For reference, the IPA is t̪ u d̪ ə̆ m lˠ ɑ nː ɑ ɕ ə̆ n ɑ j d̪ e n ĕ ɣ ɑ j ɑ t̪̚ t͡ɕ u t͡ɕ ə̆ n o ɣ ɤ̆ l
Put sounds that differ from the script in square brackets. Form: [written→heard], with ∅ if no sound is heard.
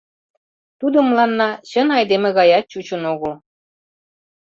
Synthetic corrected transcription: t̪ u d̪ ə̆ m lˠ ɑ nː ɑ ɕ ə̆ n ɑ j d̪ e [n→m] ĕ ɣ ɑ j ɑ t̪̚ t͡ɕ u t͡ɕ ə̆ n o ɣ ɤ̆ l